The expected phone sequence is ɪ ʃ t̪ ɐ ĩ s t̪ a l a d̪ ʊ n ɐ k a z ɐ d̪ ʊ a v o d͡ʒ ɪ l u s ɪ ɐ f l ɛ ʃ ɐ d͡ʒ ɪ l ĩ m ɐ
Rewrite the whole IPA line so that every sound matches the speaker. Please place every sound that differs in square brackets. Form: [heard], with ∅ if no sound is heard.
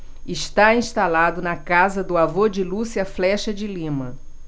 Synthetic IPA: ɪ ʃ t̪ [a] ĩ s t̪ a l a d̪ ʊ n ɐ k a z ɐ d̪ ʊ a v o d͡ʒ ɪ l u s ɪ ɐ f l ɛ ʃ ɐ d͡ʒ ɪ l ĩ m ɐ